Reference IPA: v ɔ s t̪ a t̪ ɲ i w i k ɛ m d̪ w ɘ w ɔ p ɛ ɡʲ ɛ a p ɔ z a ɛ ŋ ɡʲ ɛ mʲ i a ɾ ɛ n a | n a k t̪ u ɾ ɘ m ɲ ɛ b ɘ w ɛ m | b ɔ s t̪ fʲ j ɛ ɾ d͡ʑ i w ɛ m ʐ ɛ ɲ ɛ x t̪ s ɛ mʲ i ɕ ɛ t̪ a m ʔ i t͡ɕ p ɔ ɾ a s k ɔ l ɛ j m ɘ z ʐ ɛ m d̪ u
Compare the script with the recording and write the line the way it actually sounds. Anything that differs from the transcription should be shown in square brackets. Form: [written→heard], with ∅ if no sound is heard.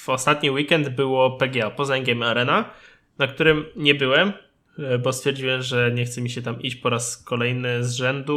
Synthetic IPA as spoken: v ɔ s t̪ a t̪ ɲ i w i k ɛ [m→n] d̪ [w→b] ɘ w ɔ p ɛ ɡʲ ɛ a p ɔ z a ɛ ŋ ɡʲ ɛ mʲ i a ɾ ɛ n a | n a k t̪ u ɾ ɘ m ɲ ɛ b ɘ w ɛ m | b ɔ s t̪ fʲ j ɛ ɾ d͡ʑ i w ɛ m ʐ ɛ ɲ ɛ x t̪ s ɛ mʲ i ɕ ɛ t̪ a m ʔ i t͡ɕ p ɔ ɾ a s k ɔ l ɛ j [m→n] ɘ z ʐ ɛ [m→n] d̪ u